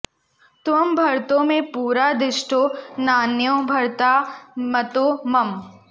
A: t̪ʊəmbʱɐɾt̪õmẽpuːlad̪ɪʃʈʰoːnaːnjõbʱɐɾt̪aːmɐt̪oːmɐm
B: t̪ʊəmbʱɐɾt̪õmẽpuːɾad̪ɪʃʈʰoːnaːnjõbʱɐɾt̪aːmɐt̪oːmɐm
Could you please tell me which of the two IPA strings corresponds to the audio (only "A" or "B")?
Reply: B